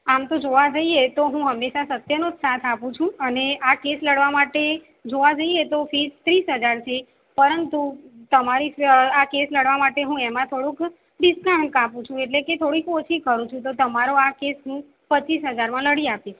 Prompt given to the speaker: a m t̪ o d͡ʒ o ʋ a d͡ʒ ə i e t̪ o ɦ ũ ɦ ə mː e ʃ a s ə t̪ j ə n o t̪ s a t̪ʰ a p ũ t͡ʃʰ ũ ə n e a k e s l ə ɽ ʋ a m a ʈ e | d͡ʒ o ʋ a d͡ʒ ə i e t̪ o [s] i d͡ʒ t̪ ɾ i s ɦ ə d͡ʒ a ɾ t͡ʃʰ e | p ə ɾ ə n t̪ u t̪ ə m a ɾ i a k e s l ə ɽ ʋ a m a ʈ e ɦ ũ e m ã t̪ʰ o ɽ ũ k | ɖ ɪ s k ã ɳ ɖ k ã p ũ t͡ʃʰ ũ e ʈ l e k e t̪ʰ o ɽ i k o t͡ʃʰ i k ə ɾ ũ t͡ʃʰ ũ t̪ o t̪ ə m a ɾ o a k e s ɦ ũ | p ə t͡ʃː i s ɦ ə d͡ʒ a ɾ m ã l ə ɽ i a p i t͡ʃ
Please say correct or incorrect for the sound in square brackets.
incorrect: f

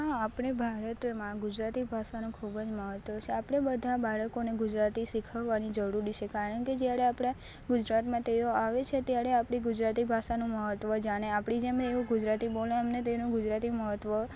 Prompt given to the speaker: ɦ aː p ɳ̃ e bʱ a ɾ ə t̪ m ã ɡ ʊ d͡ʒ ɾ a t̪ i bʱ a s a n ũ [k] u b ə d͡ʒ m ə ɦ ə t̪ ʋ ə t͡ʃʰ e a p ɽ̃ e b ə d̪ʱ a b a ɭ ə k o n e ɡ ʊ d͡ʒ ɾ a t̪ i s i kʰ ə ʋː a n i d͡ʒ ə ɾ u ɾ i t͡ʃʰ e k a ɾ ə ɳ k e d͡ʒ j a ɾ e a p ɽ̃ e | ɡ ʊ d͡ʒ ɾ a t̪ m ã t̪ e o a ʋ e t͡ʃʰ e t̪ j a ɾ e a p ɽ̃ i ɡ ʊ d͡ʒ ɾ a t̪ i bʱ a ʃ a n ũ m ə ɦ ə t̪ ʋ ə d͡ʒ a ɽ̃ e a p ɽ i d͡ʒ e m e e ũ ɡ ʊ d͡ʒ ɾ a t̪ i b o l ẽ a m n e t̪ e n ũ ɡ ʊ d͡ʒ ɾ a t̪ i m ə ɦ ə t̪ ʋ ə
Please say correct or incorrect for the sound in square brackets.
incorrect: kʰ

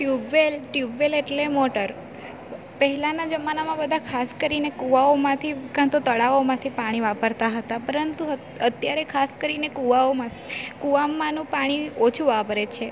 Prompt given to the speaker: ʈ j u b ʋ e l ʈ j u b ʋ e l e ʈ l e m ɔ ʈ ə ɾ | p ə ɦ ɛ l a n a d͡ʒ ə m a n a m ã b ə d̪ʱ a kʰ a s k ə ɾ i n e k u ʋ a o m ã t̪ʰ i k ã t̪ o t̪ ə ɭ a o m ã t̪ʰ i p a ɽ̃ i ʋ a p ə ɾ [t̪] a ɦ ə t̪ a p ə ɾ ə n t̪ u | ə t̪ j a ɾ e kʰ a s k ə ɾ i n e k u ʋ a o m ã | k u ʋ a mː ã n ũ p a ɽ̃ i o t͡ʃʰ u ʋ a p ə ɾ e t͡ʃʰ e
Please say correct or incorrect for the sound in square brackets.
correct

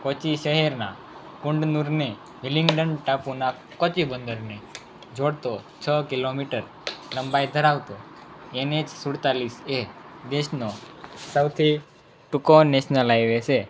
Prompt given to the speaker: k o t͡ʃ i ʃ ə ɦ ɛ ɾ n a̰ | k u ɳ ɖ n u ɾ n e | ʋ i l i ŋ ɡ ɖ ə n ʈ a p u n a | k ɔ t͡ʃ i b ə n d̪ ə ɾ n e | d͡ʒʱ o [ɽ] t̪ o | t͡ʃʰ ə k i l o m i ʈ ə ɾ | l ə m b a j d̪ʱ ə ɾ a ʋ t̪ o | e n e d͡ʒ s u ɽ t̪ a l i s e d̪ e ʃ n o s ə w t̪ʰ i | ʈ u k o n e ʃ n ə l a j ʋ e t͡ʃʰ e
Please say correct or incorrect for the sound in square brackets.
correct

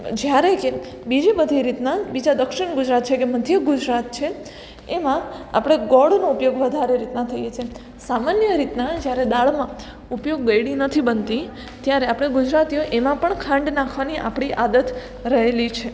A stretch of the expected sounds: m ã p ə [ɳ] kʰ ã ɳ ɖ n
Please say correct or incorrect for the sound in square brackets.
correct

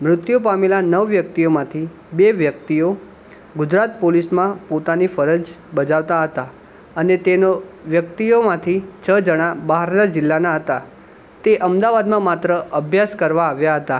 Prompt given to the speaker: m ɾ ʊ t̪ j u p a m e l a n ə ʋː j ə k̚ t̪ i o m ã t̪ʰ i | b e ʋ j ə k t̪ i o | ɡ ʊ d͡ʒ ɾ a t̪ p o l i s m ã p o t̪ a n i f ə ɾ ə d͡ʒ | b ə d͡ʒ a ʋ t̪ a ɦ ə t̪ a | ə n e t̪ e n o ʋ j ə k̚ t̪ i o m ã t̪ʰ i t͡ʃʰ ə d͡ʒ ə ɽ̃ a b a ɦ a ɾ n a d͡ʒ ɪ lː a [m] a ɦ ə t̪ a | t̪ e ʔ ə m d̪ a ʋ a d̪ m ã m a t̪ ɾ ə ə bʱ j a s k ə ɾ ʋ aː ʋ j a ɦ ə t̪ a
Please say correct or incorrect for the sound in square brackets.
incorrect: n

